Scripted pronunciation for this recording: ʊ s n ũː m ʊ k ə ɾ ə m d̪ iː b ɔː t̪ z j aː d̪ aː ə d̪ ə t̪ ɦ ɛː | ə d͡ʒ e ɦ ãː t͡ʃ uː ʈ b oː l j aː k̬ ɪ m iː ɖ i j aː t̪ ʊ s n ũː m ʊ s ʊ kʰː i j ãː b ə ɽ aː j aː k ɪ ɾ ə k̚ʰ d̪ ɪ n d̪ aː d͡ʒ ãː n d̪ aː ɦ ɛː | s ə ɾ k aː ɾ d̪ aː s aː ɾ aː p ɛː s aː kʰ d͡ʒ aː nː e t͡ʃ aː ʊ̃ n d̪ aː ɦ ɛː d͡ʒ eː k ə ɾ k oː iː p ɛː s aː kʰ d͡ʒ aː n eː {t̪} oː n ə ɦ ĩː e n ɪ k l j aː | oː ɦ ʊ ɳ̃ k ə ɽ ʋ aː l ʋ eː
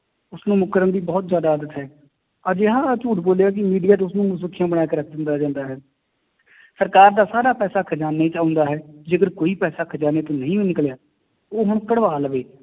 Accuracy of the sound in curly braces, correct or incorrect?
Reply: correct